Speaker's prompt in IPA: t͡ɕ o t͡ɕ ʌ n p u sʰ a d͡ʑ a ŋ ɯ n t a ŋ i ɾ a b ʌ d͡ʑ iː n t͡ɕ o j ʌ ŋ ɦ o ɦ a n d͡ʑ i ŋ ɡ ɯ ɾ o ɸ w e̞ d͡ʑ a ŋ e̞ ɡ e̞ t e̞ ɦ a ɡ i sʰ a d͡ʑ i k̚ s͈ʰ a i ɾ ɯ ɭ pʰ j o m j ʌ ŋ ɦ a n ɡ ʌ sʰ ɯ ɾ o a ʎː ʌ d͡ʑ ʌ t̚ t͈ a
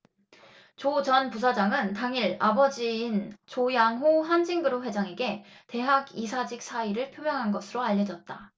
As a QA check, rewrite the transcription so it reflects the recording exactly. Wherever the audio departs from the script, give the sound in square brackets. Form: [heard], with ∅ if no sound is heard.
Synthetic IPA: t͡ɕ o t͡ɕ ʌ n p u sʰ a d͡ʑ a ŋ ɯ n t a ŋ i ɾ a b ʌ d͡ʑ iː n t͡ɕ o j [a] ŋ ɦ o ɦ a n d͡ʑ i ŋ ɡ ɯ ɾ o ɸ w e̞ d͡ʑ a ŋ e̞ ɡ e̞ t e̞ ɦ a ɡ i sʰ a d͡ʑ i k̚ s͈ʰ a i ɾ ɯ ɭ pʰ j o m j ʌ ŋ ɦ a n ɡ ʌ sʰ ɯ ɾ o a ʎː ʌ d͡ʑ ʌ t̚ t͈ a